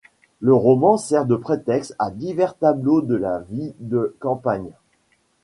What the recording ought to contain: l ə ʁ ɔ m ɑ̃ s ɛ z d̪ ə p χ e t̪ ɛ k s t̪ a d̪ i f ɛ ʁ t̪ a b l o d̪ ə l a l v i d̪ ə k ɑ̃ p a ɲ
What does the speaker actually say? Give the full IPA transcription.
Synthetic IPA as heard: l ə ʁ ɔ m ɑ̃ s ɛ ʁ d̪ ə p χ e t̪ ɛ k s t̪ a d̪ i v ɛ ʁ t̪ a b l o d̪ ə l a v i d̪ ə k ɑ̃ p a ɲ